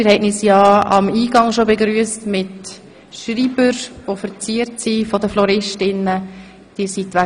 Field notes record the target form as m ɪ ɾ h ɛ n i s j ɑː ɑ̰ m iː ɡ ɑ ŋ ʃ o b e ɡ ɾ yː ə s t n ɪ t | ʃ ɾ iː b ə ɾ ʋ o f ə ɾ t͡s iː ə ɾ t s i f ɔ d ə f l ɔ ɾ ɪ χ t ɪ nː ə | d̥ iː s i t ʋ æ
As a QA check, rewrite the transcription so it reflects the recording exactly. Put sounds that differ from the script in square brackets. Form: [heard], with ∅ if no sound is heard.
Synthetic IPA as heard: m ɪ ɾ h ɛ n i s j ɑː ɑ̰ m iː ɡ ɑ ŋ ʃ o b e ɡ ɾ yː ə s t [m] ɪ t | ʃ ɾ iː b ə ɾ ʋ o f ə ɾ t͡s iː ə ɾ t s i f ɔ d ə f l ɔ ɾ ɪ [ʃ] t ɪ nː ə | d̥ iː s i t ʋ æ